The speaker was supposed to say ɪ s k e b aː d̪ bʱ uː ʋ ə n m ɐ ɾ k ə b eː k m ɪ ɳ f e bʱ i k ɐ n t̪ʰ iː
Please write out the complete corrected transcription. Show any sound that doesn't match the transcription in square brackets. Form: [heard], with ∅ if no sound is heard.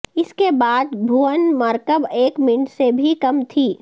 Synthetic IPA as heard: ɪ s k e b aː d̪ bʱ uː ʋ ə n m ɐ ɾ k ə b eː k m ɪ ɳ [s] e bʱ i k ɐ [m] t̪ʰ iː